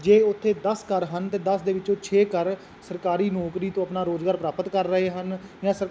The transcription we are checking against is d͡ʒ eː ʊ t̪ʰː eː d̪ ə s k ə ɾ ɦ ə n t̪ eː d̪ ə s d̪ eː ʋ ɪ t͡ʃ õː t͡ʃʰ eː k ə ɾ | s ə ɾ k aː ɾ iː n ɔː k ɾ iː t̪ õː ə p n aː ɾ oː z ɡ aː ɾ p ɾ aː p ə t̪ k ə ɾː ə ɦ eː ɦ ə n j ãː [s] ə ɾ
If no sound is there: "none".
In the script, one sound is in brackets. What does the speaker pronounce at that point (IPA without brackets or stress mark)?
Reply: s